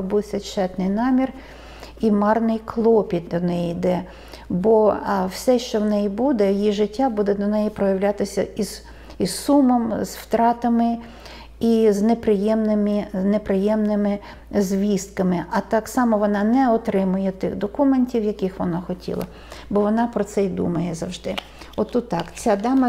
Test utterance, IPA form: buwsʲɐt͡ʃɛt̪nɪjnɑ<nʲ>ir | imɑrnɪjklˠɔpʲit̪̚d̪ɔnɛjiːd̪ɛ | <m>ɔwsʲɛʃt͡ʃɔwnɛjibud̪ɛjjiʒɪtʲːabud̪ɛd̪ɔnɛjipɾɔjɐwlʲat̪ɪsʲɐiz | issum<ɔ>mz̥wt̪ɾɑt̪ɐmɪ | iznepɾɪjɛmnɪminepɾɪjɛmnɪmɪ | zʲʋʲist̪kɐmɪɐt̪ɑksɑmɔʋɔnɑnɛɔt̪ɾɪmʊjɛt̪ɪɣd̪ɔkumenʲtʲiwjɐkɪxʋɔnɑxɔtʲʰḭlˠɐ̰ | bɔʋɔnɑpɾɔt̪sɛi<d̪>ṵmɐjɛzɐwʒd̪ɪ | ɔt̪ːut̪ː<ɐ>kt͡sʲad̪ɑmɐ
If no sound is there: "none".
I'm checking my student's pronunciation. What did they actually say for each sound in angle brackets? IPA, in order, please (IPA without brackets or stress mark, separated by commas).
mʲ, b, ɔ, d̪, ɑ